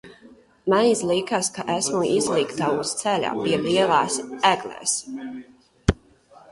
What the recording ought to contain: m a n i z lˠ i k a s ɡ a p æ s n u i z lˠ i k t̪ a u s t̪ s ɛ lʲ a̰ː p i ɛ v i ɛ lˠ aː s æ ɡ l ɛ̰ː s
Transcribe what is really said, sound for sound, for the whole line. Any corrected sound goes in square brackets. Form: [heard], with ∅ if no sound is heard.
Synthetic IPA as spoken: m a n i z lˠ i k a s [k] a [ʔ] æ s [m] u i z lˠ i k t̪ a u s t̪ s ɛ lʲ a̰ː p i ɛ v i ɛ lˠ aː s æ ɡ l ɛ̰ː s